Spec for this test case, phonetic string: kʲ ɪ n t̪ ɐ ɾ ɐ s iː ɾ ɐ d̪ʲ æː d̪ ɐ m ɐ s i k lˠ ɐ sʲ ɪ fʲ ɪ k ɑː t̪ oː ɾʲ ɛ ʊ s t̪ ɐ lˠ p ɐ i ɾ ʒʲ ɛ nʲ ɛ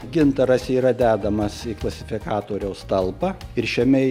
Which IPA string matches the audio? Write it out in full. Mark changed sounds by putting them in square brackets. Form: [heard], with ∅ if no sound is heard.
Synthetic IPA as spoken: [ɡʲ] ɪ n t̪ ɐ ɾ ɐ s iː ɾ ɐ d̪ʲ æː d̪ ɐ m ɐ s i k lˠ ɐ sʲ ɪ fʲ ɪ k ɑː t̪ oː ɾʲ ɛ ʊ s t̪ ɐ lˠ p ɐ [ɪ] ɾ [ʃʲ] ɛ [mʲ] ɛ